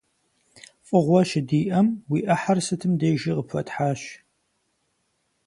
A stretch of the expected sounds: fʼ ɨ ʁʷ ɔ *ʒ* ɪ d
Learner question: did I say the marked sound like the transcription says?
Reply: no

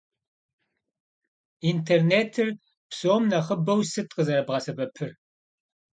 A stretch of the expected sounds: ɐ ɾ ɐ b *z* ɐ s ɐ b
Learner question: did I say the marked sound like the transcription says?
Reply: no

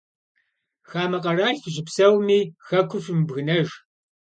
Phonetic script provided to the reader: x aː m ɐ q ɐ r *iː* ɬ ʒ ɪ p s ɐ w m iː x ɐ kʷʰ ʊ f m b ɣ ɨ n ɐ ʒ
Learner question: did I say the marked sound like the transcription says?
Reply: no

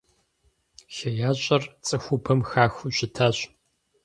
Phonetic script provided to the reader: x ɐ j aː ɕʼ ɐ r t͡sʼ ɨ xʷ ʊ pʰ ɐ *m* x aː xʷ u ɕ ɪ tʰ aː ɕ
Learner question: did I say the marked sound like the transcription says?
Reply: yes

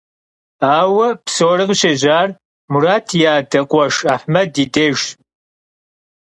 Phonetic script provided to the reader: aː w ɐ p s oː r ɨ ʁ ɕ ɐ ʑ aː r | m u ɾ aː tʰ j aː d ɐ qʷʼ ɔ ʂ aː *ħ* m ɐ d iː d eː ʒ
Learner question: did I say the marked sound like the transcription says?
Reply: yes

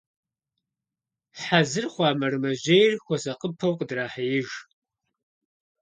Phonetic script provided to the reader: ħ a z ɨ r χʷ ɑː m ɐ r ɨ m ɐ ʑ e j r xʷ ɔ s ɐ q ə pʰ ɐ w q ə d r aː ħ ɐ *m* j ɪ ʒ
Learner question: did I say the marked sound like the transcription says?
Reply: no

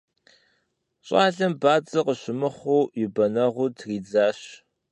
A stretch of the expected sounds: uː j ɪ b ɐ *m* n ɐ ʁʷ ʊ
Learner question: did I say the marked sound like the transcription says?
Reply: no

